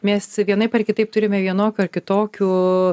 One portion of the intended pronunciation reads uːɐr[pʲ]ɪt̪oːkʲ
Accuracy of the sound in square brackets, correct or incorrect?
incorrect